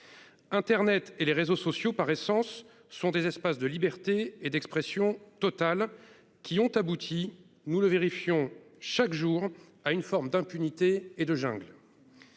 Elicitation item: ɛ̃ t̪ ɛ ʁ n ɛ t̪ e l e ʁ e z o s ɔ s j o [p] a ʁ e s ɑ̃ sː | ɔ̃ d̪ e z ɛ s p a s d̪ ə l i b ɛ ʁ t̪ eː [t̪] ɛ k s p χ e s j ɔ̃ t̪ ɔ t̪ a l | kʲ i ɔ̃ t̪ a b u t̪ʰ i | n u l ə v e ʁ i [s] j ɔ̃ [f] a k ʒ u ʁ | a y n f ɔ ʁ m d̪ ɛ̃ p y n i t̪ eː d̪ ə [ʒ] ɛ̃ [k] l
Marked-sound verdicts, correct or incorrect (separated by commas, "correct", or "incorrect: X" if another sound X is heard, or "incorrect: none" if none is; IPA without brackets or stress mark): correct, incorrect: d̪, incorrect: f, incorrect: ʃ, correct, incorrect: ɡ